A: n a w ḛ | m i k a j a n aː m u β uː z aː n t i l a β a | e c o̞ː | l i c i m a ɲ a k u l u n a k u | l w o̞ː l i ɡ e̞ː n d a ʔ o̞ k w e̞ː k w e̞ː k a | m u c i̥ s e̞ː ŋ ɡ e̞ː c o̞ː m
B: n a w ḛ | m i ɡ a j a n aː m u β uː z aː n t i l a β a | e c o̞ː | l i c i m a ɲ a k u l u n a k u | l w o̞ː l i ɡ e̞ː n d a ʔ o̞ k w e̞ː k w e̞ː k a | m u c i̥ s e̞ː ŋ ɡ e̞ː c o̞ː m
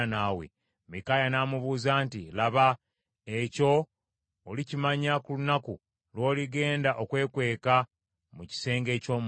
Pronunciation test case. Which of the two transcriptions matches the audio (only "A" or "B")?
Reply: A